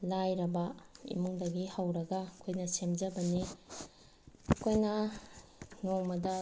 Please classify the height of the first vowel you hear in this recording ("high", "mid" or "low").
low